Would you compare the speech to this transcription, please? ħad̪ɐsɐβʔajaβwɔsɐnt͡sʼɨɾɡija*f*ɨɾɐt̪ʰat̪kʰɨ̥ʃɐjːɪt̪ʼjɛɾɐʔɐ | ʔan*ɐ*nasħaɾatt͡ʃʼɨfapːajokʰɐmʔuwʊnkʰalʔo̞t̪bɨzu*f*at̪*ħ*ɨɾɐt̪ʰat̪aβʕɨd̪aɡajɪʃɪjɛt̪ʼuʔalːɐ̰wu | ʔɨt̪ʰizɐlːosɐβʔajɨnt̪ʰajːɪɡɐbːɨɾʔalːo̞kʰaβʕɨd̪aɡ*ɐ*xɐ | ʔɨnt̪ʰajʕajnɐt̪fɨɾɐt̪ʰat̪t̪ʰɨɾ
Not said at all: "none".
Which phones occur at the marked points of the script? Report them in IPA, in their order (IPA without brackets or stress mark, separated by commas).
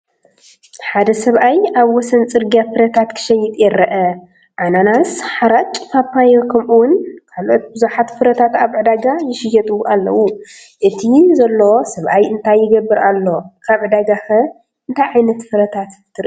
f, a, ħ, f, a